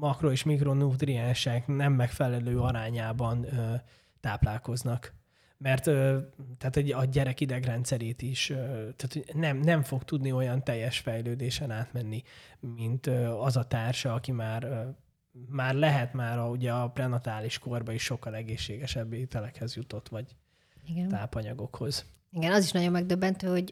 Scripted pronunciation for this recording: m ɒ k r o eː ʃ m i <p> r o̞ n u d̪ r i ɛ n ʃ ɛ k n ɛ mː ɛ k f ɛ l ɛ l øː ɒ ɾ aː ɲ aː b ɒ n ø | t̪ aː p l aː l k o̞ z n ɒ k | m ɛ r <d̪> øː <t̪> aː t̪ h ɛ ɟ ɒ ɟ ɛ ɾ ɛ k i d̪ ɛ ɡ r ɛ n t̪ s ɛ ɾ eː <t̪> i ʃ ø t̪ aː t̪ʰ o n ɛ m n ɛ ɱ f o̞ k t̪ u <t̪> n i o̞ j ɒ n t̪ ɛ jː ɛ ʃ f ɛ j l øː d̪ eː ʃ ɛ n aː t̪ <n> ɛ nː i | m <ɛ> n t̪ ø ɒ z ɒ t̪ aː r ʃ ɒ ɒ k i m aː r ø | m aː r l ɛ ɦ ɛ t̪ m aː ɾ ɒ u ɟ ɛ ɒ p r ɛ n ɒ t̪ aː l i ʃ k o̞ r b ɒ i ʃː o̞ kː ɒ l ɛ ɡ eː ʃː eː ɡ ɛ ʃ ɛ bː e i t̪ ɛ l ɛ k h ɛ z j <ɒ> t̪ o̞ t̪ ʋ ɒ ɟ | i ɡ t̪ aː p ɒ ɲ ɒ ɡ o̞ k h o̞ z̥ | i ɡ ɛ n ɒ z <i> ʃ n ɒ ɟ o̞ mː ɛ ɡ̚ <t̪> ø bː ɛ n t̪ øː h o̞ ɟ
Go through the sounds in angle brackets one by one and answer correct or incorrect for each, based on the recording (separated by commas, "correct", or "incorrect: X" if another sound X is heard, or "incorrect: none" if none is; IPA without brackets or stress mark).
incorrect: k, incorrect: t̪, correct, correct, incorrect: d̪, incorrect: m, incorrect: i, incorrect: u, correct, incorrect: d̪